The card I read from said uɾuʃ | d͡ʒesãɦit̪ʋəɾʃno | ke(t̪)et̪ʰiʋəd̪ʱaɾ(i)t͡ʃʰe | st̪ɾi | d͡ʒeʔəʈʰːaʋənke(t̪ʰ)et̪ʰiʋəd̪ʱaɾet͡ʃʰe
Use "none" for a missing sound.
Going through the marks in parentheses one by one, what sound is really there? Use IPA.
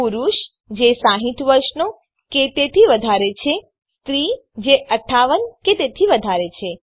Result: t̪, e, t̪

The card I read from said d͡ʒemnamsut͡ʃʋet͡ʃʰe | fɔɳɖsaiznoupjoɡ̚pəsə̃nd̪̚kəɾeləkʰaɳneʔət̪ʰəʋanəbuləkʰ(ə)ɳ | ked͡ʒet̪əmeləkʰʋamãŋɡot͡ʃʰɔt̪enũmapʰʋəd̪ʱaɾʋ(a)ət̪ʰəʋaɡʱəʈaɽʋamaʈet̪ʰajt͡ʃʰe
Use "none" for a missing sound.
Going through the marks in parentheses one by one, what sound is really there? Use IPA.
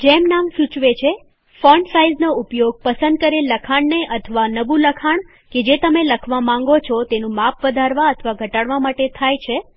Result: a, a

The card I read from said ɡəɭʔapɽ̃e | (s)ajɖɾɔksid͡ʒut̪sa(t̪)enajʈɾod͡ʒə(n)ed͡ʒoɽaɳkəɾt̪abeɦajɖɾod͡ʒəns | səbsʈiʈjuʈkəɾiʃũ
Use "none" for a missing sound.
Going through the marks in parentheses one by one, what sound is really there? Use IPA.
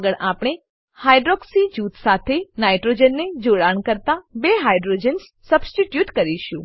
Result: h, t̪ʰ, nː

